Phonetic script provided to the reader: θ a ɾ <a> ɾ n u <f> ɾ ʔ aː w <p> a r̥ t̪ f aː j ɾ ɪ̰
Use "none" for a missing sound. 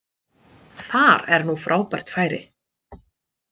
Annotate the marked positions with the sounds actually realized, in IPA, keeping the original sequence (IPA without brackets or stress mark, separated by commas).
ɛ, f, p